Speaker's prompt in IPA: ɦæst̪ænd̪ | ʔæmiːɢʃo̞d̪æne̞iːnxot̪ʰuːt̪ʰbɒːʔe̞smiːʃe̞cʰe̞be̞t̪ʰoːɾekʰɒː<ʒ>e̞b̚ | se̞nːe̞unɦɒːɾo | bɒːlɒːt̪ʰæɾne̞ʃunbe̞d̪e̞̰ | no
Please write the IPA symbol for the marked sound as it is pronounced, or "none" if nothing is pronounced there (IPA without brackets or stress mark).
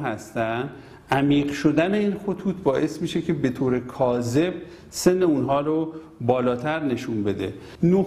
z